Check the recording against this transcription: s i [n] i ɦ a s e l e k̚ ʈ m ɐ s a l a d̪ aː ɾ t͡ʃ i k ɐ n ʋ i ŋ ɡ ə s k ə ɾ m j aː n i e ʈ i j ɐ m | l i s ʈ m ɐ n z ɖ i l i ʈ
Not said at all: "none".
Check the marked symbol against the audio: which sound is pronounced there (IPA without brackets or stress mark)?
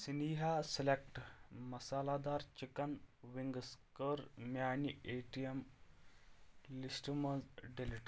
n